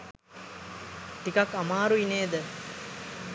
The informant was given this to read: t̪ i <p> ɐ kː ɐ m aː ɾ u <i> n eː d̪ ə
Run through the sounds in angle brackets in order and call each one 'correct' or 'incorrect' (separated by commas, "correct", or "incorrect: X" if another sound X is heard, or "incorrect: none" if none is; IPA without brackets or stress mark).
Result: incorrect: k, correct